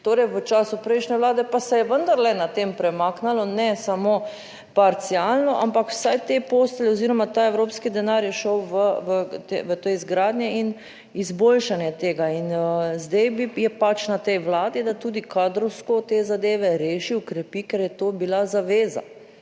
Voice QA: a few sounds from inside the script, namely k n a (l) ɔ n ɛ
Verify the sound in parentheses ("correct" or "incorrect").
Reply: correct